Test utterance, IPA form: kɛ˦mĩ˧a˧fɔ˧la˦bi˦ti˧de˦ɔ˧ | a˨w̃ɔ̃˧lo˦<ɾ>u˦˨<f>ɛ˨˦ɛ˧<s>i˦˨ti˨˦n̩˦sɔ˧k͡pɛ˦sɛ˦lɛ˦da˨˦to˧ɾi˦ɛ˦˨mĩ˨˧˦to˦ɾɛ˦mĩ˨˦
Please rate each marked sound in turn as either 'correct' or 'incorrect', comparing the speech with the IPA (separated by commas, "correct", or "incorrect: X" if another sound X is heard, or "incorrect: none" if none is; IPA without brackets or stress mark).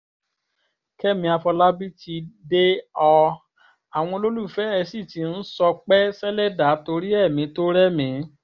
incorrect: l, correct, correct